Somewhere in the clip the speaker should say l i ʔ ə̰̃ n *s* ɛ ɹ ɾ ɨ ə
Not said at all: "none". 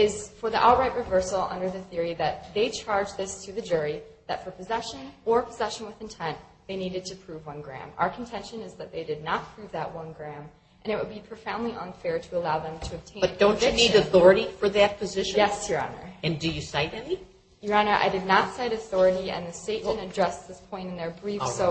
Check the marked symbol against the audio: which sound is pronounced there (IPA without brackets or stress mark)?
f